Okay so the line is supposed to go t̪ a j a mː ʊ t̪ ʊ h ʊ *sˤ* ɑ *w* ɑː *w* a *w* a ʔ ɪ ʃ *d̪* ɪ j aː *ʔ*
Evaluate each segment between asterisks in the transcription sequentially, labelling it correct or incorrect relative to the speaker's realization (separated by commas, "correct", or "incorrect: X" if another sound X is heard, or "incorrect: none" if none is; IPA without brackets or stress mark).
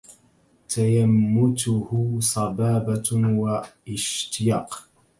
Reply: correct, incorrect: b, incorrect: b, correct, incorrect: t̪, incorrect: q